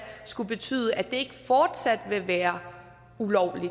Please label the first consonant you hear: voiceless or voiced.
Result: voiceless